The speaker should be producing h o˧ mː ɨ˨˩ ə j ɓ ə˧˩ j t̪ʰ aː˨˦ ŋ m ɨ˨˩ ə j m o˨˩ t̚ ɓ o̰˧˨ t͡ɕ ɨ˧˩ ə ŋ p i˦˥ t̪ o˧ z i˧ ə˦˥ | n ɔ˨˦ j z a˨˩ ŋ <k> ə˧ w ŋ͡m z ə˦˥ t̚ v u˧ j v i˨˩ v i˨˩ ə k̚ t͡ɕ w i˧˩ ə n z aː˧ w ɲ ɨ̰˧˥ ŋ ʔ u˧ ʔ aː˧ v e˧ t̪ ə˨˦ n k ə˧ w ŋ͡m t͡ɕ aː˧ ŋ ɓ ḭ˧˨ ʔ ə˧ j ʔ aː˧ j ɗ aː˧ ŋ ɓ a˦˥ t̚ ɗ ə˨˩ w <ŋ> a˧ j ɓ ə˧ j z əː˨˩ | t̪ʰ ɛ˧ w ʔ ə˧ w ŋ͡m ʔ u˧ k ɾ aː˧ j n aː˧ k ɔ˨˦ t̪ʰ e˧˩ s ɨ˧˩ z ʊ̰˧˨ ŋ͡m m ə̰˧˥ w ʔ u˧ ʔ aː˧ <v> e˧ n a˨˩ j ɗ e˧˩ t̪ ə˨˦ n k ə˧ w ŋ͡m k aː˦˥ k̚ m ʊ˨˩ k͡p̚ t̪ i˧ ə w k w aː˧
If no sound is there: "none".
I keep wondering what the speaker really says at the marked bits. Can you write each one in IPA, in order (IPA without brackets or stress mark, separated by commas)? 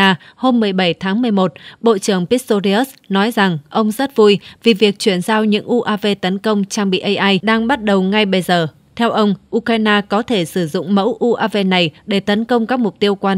ʔ, ŋ, v